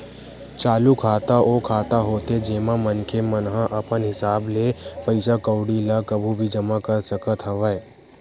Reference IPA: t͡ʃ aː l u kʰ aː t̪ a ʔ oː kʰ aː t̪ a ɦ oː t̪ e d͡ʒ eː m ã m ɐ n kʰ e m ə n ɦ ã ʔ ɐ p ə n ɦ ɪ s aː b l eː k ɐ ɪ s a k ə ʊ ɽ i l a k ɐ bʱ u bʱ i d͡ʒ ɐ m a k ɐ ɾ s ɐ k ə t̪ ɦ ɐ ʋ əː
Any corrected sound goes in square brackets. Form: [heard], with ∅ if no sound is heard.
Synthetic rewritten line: t͡ʃ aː l u kʰ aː t̪ a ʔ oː kʰ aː t̪ a ɦ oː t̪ e d͡ʒ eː m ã m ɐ n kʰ e m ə n ɦ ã ʔ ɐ p ə n ɦ ɪ s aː b l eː [p] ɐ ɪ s a k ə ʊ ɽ i l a k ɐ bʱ u bʱ i d͡ʒ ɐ m a k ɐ ɾ s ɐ k ə t̪ ɦ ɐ ʋ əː

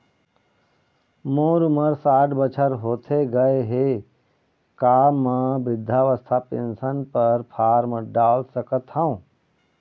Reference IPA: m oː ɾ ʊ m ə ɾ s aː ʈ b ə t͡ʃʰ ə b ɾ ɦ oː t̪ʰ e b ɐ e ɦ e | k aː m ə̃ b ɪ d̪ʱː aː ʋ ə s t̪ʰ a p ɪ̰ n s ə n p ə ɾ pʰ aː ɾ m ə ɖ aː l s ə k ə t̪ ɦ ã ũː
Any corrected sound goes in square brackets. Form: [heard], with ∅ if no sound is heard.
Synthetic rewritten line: m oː ɾ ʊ m ə ɾ s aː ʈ b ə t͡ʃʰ ə [∅] ɾ ɦ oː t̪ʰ e [ɡ] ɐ e ɦ e | k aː m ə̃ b ɪ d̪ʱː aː ʋ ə s t̪ʰ a p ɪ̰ n s ə n p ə ɾ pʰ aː ɾ m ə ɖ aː l s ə k ə t̪ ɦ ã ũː

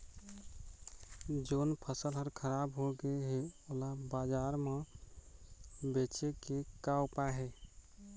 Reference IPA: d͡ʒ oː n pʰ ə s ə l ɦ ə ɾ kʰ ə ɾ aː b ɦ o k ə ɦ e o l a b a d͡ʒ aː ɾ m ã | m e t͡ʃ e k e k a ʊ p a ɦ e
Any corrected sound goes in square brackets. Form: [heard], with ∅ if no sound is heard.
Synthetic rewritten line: d͡ʒ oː n pʰ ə s ə l ɦ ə ɾ kʰ ə ɾ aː b ɦ o [ɡ] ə ɦ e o l a b a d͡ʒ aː ɾ m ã | [b] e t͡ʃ e k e k a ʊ p a ɦ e

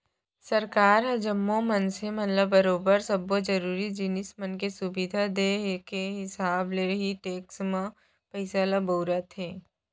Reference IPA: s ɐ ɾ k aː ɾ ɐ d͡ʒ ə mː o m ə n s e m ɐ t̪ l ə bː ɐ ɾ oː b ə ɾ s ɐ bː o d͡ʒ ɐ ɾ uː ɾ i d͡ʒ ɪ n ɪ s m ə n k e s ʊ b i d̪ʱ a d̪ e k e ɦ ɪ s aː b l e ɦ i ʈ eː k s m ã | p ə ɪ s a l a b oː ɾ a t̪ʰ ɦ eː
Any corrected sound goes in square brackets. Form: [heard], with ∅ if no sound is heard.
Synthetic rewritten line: s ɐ ɾ k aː ɾ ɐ d͡ʒ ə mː o m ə n s e m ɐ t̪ l ə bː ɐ ɾ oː b ə ɾ s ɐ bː o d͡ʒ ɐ ɾ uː ɾ i d͡ʒ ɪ n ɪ s m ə n k e s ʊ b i d̪ʱ a d̪ e k e ɦ ɪ s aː b l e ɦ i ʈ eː k s m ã | p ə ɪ s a l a b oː ɾ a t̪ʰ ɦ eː

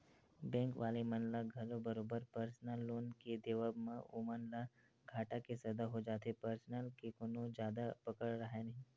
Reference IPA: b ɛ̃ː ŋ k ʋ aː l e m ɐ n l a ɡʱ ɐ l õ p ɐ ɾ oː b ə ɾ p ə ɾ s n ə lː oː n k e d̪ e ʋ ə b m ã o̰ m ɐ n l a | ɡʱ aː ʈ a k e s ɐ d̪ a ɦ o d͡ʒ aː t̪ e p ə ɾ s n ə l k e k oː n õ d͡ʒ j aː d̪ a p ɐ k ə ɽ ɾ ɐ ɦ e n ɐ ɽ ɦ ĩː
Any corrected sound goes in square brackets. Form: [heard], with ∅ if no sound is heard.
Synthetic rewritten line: b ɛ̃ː ŋ k ʋ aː l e m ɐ n l a ɡʱ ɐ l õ [b] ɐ ɾ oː b ə ɾ p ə ɾ s n ə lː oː n k e d̪ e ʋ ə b m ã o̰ m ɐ n l a | ɡʱ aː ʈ a k e s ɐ d̪ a ɦ o d͡ʒ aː t̪ e p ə ɾ s n ə l k e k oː n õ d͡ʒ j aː d̪ a p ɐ k ə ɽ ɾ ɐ ɦ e n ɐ [∅] ɦ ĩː

